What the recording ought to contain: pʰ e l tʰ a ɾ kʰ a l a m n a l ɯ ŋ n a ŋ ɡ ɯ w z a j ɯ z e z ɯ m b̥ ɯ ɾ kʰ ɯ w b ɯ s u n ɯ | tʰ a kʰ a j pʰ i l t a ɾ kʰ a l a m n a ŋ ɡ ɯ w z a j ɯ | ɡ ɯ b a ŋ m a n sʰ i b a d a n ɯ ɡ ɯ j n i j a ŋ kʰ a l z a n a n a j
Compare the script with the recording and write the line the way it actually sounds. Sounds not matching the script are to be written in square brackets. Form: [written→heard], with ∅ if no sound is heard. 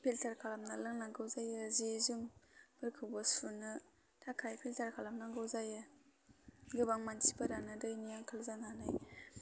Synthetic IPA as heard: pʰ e l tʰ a ɾ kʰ a l a m n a l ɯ ŋ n a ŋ ɡ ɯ w z a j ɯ z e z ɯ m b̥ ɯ ɾ kʰ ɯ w b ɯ s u n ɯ | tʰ a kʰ a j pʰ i l t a ɾ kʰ a l a m n a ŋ ɡ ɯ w z a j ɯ | ɡ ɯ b a ŋ m a n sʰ i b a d a n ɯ [ɡ→d] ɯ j n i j a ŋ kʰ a l z a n a n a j